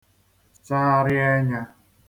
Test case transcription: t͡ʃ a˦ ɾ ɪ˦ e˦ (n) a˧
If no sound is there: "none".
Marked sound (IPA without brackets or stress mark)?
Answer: ɲ